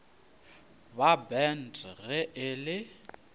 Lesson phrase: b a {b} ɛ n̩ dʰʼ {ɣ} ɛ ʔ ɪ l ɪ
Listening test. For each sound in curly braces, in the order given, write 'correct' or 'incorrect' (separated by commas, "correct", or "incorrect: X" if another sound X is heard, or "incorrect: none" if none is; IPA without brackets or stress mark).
correct, correct